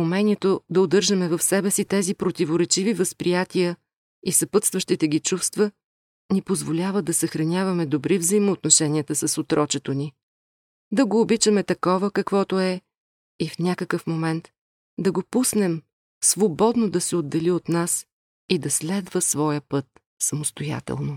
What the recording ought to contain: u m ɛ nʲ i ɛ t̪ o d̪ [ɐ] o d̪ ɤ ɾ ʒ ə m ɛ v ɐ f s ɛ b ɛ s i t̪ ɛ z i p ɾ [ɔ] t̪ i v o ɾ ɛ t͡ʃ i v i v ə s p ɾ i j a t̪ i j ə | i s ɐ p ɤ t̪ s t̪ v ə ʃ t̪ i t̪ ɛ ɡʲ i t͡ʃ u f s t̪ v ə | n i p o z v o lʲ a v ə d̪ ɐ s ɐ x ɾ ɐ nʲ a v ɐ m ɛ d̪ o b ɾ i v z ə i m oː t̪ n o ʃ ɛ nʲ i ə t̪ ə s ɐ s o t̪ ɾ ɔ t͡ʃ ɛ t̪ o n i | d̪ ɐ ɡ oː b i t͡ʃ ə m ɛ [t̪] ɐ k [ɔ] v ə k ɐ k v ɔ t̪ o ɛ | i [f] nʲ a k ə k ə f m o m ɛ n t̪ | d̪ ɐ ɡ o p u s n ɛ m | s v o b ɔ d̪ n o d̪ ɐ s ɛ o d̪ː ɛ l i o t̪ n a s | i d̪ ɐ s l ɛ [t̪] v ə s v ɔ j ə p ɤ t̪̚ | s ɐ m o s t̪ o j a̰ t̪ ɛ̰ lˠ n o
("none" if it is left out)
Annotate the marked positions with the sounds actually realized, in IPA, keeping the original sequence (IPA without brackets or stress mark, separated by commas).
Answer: ɐ, o, t̪, ɔ, f, d̪